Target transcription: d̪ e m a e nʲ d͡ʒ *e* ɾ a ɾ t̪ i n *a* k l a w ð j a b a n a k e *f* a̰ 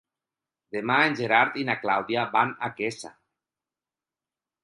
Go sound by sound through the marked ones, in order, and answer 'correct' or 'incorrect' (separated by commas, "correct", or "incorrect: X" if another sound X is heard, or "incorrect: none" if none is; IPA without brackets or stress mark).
correct, correct, incorrect: s